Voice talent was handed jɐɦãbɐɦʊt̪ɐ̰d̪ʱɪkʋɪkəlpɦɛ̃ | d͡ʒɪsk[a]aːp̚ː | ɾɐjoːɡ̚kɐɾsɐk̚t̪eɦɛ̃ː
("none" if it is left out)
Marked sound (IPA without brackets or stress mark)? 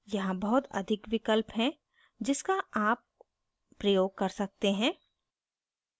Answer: a